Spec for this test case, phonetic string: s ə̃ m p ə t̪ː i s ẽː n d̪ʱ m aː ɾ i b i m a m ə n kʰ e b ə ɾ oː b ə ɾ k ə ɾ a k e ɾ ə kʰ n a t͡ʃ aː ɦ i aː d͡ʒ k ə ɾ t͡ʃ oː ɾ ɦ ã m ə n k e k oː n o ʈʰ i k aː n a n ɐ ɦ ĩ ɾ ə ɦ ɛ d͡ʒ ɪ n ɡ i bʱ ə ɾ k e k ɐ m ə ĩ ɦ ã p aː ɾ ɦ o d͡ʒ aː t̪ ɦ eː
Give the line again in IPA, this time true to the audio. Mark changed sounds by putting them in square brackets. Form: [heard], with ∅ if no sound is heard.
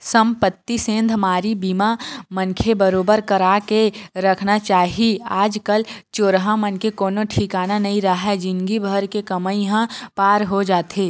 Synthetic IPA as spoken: s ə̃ m p ə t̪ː i s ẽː n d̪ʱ m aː ɾ i b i m a m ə n kʰ e b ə ɾ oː b ə ɾ k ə ɾ a k e ɾ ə kʰ n a t͡ʃ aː ɦ i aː d͡ʒ k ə [l] t͡ʃ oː ɾ ɦ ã m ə n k e k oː n o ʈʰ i k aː n a n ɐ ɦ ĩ ɾ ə ɦ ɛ d͡ʒ ɪ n ɡ i bʱ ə ɾ k e k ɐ m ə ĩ ɦ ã p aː ɾ ɦ o d͡ʒ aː t̪ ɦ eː